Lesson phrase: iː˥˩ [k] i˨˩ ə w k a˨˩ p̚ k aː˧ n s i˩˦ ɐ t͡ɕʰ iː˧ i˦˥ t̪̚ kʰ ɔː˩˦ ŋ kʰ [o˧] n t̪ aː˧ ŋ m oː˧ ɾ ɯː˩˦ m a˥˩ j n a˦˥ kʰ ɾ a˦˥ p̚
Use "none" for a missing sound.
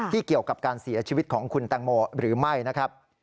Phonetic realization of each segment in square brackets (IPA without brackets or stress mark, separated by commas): k, u˧